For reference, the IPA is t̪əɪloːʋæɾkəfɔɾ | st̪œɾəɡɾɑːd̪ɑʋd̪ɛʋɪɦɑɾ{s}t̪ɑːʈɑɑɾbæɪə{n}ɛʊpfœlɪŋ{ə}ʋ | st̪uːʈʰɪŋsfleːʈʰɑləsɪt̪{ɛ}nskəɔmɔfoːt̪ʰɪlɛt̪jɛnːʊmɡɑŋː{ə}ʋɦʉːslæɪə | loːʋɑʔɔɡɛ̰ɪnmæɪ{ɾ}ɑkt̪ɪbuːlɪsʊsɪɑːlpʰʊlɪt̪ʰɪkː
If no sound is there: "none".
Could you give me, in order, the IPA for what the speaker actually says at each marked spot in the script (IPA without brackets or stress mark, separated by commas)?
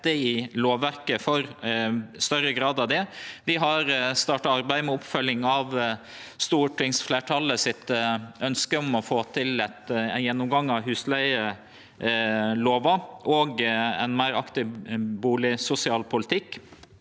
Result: s, m, ɑ, œ, ɑ, ɾ